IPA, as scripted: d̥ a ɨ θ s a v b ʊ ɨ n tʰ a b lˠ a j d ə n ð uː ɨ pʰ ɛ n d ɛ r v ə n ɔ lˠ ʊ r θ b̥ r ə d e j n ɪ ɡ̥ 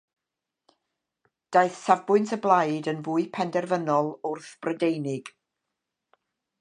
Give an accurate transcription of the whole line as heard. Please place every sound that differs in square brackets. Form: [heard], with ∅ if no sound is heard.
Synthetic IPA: d̥ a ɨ θ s a v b ʊ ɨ n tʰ [ə] b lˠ a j d ə n [v] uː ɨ pʰ ɛ n d ɛ r v ə n ɔ lˠ ʊ r θ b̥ r ə d e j n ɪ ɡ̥